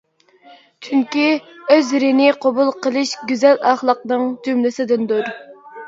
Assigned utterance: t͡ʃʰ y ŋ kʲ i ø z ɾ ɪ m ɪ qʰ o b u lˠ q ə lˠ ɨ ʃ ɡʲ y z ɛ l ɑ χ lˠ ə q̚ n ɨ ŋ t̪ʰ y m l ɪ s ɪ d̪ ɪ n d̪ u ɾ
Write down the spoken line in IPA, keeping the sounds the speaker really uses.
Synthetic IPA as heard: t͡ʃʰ y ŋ kʲ i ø z ɾ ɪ n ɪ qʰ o b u lˠ q ə lˠ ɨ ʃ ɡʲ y z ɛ l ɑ χ lˠ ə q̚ n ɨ ŋ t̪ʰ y m l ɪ s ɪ d̪ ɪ n d̪ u ɾ